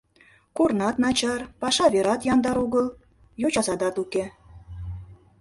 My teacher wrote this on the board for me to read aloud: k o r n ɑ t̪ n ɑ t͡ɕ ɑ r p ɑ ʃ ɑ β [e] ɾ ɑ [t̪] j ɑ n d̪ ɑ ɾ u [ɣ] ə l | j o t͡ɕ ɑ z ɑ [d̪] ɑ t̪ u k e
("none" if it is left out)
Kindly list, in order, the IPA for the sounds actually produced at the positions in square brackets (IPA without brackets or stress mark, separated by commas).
e, t̪, ɣ, d̪